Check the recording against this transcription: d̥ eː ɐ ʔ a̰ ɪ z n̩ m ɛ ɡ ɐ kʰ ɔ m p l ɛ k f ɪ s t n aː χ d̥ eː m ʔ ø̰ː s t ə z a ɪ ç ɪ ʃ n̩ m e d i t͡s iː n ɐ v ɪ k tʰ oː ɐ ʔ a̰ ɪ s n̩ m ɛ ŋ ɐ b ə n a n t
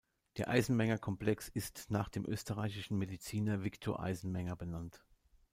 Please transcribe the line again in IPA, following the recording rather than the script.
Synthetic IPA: d̥ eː ɐ ʔ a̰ ɪ z n̩ m ɛ ŋ ɐ kʰ ɔ m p l ɛ k s ɪ s t n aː χ d̥ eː m ʔ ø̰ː s t ə ʁ a ɪ ç ɪ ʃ n̩ m e d i t͡s iː n ɐ v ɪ k tʰ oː ɐ ʔ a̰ ɪ z n̩ m ɛ ŋ ɐ b ə n a n t